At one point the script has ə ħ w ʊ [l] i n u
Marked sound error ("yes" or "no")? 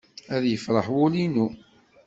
no